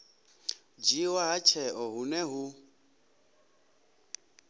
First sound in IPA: d͡ʒ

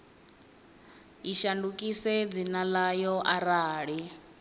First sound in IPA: i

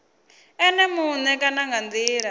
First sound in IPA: ɛ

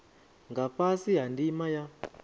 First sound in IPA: ŋ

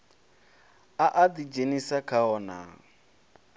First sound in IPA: a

